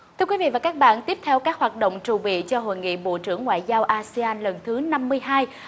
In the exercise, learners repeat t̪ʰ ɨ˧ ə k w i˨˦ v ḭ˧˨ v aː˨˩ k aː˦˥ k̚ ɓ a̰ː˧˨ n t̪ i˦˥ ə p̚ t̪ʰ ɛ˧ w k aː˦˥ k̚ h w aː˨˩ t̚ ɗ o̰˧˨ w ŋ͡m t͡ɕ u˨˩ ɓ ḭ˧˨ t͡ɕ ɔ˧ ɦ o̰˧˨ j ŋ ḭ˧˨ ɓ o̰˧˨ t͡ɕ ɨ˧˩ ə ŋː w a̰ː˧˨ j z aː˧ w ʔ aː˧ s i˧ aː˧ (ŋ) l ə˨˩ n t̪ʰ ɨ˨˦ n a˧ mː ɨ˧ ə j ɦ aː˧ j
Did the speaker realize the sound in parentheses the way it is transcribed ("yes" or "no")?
no